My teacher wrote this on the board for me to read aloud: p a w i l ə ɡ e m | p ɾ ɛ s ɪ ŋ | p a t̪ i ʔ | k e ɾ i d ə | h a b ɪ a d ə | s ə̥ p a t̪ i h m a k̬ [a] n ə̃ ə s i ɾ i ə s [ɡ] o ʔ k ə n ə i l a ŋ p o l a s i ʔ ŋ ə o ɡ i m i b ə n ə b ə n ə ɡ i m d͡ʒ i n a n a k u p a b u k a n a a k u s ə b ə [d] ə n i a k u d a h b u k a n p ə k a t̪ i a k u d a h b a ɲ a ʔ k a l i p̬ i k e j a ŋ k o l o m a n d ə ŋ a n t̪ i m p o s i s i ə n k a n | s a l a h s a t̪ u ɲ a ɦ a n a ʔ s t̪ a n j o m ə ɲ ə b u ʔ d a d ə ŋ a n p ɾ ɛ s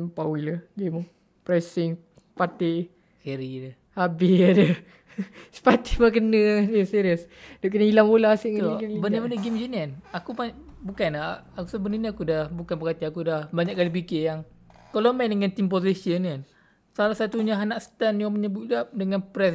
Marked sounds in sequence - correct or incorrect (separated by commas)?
incorrect, incorrect, incorrect